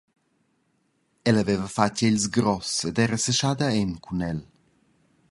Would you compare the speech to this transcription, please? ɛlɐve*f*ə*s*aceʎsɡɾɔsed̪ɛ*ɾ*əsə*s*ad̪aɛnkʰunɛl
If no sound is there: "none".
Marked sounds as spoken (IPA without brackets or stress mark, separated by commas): v, f, ɾ, ʃ